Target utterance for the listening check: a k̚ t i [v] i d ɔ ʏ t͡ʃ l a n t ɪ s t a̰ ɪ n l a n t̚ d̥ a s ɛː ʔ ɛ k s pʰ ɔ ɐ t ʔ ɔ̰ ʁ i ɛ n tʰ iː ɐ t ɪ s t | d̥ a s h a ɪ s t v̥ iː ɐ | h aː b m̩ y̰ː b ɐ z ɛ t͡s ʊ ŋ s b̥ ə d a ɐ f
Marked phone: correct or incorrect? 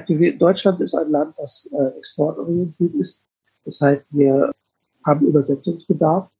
correct